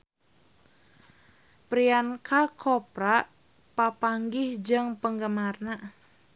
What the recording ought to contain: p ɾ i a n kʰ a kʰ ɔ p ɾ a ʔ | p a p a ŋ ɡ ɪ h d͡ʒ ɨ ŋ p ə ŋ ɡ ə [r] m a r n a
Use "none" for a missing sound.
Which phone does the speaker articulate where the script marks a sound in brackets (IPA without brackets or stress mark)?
none